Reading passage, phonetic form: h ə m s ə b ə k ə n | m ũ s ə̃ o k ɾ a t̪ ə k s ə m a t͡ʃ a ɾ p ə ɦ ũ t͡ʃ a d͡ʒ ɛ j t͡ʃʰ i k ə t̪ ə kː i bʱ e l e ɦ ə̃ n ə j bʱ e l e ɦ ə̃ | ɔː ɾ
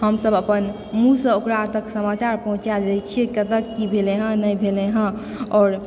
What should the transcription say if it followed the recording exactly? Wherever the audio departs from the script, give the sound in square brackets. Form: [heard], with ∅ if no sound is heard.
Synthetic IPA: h ə m s ə b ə [p] ə n | m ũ s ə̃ o k ɾ a t̪ ə k s ə m a t͡ʃ a ɾ p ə ɦ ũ t͡ʃ a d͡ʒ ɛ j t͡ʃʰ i k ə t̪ ə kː i bʱ e l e ɦ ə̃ n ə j bʱ e l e ɦ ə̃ | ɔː ɾ